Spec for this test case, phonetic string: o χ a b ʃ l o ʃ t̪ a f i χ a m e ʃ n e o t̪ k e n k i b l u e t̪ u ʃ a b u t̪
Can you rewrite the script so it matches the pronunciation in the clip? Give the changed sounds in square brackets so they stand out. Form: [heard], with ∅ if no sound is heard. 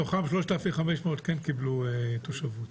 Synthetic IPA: o χ a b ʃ l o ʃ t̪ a f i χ a m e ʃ [m] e o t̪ k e n k i b l u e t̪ [o] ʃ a [v] u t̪